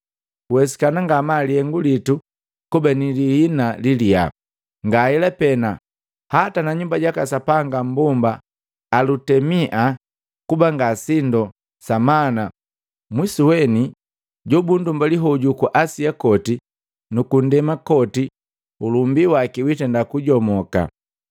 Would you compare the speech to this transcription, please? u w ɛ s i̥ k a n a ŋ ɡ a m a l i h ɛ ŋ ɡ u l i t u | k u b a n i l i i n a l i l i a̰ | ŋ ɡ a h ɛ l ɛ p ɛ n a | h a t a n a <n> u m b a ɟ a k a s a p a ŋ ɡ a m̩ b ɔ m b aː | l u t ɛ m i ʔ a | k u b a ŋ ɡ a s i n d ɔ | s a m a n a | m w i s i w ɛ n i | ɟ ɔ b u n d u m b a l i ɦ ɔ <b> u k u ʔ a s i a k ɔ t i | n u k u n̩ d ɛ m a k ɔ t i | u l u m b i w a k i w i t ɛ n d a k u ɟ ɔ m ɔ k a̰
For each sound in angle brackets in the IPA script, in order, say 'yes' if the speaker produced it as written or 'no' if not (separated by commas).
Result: no, no